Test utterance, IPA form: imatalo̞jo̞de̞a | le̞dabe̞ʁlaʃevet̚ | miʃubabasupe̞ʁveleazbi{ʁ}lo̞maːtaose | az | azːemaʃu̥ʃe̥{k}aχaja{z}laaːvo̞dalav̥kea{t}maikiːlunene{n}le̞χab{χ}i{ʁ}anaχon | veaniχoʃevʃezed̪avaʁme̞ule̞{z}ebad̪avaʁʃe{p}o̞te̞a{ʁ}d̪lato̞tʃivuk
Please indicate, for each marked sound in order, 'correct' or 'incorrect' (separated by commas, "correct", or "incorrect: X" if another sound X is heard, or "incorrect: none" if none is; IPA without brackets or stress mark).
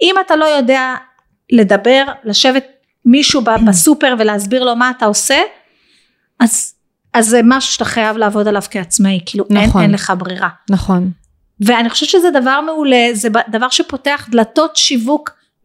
correct, incorrect: t, incorrect: v, incorrect: t͡s, correct, incorrect: ʁ, correct, correct, correct, incorrect: χ